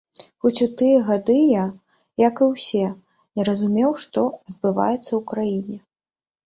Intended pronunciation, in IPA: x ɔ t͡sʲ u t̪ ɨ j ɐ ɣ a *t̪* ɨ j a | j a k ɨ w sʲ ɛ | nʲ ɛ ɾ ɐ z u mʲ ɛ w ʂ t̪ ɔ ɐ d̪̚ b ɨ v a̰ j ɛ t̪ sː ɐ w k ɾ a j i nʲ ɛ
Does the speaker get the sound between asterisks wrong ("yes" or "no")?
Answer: yes